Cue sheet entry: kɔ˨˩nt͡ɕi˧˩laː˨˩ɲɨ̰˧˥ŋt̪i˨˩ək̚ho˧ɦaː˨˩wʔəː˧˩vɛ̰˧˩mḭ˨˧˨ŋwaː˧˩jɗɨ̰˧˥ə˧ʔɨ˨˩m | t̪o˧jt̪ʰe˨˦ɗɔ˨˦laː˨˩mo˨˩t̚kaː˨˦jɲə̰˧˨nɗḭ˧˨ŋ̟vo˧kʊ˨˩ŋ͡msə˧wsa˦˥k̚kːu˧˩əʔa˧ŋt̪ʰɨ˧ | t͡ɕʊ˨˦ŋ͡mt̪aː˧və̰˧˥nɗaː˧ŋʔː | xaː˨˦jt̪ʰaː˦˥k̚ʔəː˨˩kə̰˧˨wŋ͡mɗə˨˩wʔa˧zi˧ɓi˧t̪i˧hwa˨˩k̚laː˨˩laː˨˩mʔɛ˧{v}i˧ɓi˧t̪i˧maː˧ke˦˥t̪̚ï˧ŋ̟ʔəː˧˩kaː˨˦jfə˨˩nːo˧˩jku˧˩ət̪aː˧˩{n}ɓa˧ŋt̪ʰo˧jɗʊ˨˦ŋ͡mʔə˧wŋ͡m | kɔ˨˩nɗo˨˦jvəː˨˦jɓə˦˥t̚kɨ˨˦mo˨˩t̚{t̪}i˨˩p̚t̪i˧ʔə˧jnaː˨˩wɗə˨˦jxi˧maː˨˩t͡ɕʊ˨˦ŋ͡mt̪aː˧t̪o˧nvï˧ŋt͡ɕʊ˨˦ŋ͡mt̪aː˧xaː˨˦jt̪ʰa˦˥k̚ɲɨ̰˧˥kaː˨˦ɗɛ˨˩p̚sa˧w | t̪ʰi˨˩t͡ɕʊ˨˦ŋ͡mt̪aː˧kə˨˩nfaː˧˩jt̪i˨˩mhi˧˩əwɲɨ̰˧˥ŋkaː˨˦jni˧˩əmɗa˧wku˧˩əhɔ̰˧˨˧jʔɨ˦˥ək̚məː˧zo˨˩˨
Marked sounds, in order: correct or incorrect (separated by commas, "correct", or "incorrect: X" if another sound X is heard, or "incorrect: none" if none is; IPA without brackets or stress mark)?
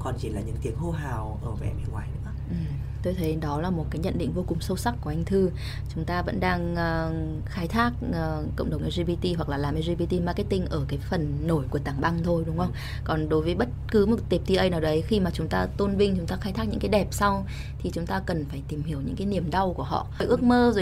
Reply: incorrect: z, incorrect: ŋ, correct